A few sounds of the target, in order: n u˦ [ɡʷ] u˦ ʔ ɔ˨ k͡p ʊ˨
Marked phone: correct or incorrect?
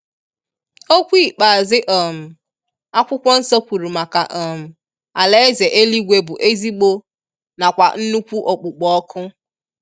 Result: incorrect